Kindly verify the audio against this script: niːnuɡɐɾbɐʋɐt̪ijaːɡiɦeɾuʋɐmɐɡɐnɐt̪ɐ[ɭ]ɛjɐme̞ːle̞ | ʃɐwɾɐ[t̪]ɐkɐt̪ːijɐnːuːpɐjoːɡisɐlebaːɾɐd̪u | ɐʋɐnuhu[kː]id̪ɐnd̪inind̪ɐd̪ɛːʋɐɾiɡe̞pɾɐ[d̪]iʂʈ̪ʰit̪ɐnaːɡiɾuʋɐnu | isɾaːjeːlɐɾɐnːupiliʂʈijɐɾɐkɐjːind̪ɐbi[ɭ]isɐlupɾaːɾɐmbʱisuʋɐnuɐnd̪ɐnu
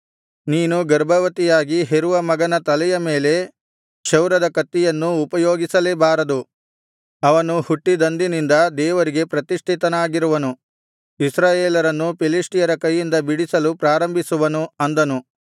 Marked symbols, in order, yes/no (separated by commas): no, no, no, no, no